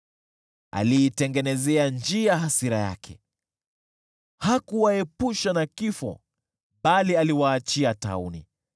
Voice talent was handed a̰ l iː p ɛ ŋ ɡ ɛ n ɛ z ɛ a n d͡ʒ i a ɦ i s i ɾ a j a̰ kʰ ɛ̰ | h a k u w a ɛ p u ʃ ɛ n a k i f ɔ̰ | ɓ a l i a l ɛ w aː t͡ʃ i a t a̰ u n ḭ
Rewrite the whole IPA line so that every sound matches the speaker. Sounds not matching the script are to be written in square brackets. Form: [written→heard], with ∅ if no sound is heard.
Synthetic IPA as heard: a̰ l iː [p→t] ɛ ŋ ɡ ɛ n ɛ z ɛ a n d͡ʒ i a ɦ [i→a] s i ɾ a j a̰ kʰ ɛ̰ | h a k u w a ɛ p u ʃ [ɛ→a] n a k i f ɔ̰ | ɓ a l i a l [ɛ→i] w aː t͡ʃ i a t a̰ u n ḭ